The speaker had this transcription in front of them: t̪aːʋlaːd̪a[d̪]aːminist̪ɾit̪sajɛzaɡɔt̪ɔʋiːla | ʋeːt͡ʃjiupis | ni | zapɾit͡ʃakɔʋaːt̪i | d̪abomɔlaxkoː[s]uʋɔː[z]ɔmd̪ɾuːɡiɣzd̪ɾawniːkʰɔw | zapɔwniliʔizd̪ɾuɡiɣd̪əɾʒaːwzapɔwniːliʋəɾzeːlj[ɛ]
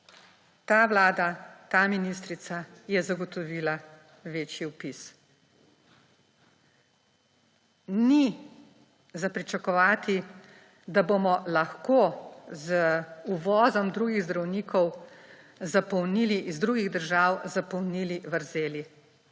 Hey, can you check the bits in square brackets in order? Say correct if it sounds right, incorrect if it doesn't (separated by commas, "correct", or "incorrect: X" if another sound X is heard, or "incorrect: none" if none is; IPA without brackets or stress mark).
incorrect: t̪, incorrect: z, correct, incorrect: i